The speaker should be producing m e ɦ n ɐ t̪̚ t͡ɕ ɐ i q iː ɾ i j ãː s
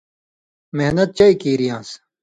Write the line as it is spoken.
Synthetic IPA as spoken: m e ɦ n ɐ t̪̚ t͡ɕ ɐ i k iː ɾ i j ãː s